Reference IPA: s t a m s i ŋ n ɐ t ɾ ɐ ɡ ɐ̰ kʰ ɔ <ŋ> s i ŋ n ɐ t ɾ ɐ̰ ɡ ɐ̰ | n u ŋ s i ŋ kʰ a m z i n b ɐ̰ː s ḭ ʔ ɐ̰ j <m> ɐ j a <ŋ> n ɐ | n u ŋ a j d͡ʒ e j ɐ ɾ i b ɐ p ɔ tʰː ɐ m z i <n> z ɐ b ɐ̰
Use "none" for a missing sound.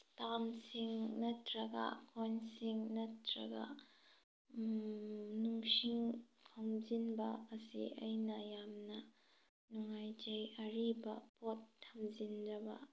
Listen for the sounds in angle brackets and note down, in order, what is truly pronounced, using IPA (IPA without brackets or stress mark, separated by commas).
n, n, m, n